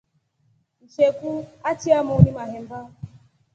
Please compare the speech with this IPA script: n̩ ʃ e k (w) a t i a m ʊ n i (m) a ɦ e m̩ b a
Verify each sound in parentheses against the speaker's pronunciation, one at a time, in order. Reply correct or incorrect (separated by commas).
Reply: incorrect, correct